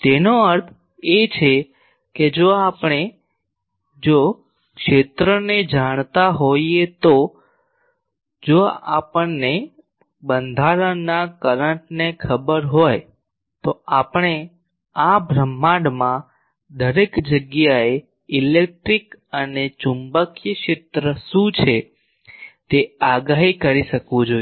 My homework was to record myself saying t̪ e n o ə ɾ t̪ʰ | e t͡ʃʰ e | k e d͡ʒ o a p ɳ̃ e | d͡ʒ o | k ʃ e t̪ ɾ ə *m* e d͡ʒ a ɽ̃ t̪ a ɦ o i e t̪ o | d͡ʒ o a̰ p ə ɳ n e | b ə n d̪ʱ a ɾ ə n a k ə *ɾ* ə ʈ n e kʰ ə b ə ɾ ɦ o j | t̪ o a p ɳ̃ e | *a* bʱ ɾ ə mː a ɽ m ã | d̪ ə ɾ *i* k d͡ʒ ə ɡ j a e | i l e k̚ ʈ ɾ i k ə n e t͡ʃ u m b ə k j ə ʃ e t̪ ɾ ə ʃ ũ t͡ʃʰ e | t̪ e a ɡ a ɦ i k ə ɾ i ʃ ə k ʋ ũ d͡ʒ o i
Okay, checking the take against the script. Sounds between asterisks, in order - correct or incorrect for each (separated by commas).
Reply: incorrect, correct, correct, incorrect